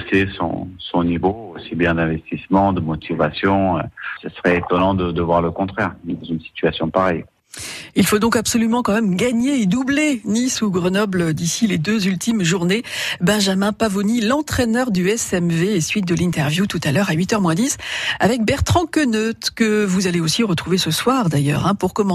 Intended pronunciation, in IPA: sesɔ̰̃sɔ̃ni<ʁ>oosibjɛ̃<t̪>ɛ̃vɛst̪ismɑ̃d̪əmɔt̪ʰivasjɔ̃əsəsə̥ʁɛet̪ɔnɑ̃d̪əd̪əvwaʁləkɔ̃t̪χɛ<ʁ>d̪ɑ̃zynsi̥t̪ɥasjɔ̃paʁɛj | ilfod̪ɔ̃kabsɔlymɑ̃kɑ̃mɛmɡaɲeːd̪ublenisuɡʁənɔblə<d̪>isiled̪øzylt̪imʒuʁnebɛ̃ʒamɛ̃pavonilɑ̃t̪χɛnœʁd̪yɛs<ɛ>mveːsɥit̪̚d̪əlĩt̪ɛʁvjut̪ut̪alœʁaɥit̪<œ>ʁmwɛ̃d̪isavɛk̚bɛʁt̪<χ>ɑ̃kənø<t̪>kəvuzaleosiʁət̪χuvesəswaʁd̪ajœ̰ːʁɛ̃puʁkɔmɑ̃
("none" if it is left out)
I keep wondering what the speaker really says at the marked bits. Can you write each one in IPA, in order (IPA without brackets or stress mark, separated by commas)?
v, d̪, ʁ, d̪, ɛ, œ, χ, t̪